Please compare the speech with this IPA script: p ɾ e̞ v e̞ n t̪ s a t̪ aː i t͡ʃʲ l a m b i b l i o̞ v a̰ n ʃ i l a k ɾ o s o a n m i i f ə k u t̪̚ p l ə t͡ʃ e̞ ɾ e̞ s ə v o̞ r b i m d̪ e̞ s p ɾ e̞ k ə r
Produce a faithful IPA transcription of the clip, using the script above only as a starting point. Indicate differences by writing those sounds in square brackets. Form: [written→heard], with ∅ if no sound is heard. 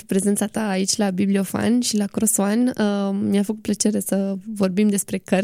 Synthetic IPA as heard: p ɾ e̞ [v→z] e̞ n t̪ s a t̪ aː i t͡ʃʲ l a [m→∅] b i b l i o̞ [v→f] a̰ n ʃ i l a k ɾ o s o a n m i [i→a] f ə k u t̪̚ p l ə t͡ʃ e̞ ɾ e̞ s ə v o̞ r b i m d̪ e̞ s p ɾ e̞ k ə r